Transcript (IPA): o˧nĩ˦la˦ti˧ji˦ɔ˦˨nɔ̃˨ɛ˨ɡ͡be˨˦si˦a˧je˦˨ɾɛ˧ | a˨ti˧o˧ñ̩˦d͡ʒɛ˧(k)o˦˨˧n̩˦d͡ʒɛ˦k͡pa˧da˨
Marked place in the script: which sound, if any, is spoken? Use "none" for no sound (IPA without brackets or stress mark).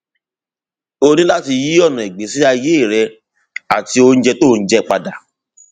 t